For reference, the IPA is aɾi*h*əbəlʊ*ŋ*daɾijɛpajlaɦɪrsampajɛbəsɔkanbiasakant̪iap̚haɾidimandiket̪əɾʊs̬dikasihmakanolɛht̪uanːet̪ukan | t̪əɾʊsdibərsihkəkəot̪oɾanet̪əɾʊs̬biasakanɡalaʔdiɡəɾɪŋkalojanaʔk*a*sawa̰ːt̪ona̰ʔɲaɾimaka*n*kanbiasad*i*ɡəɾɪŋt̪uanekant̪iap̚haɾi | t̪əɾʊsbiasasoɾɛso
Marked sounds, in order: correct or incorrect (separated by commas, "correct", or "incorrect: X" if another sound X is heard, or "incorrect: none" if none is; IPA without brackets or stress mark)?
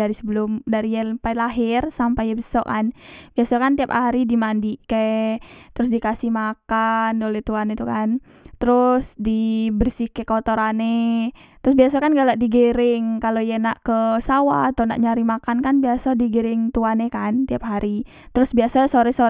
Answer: incorrect: s, incorrect: m, incorrect: ə, correct, correct